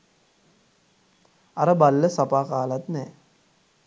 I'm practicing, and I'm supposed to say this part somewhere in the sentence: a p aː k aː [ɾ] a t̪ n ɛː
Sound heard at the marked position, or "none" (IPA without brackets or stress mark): l